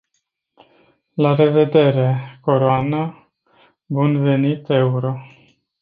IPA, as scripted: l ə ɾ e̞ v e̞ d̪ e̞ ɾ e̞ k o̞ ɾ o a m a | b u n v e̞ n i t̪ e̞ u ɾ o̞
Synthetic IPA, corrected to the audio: l a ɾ e̞ v e̞ d̪ e̞ ɾ e̞ k o̞ ɾ o a n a | b u n v e̞ n i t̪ e̞ u ɾ o̞